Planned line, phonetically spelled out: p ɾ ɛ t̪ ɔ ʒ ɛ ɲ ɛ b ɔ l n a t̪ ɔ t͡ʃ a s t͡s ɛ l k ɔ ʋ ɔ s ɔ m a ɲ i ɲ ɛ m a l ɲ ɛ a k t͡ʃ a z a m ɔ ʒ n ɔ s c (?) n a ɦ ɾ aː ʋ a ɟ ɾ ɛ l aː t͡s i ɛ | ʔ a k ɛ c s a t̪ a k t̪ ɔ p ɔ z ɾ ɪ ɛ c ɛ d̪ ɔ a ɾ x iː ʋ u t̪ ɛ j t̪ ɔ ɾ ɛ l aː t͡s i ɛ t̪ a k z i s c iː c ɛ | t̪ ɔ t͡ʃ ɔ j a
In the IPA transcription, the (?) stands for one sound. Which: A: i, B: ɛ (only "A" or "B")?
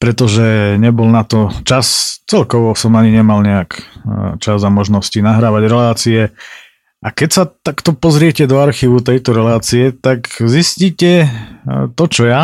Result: A